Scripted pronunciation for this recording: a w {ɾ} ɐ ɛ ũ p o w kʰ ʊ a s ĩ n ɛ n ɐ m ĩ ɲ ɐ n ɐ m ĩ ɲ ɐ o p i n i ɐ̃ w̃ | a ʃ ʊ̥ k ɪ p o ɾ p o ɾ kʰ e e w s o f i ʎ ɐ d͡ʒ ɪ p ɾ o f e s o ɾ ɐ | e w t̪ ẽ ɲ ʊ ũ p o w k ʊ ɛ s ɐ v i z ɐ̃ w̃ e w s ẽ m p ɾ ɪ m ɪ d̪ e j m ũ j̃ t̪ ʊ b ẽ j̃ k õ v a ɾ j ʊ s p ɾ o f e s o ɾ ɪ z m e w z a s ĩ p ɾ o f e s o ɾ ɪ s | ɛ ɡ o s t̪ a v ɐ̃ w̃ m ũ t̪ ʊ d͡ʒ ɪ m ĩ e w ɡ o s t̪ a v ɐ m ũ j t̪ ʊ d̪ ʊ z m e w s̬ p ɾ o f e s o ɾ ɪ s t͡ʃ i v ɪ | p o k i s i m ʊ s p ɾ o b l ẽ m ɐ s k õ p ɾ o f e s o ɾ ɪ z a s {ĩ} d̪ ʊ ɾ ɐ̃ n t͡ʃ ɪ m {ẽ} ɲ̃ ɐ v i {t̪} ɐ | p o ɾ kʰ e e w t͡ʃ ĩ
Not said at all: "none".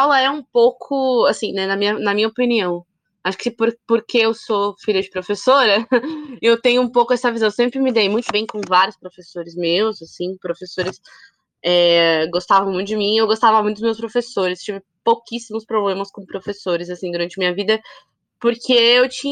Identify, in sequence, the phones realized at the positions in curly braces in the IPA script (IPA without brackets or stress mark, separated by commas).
l, ĩ, ĩ, d̪